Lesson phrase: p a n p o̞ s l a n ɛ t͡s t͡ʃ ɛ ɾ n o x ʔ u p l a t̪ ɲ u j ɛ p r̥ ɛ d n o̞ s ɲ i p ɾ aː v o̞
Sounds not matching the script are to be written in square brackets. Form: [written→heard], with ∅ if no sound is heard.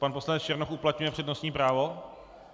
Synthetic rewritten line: p a n p o̞ s l a n ɛ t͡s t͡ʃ ɛ ɾ n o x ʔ u p l a t̪ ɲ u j ɛ p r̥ ɛ d n o̞ s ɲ [i→iː] p ɾ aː v o̞